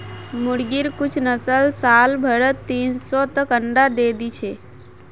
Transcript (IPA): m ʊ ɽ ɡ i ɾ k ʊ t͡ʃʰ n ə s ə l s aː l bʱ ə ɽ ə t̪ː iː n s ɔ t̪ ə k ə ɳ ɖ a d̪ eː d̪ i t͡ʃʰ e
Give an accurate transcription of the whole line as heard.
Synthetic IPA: m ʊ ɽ ɡ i ɾ k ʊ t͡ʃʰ n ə s ə l s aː l bʱ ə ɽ ə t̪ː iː n s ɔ t̪ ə k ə ɳ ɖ a d̪ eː d̪ i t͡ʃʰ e